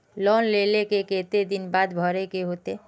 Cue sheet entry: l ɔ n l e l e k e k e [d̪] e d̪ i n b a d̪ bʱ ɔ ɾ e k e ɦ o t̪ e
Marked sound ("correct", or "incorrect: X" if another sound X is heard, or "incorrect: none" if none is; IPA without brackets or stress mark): incorrect: t̪